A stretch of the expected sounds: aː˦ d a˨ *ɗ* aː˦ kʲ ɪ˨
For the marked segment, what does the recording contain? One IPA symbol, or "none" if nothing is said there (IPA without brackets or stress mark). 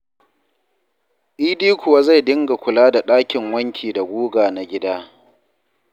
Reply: ɗ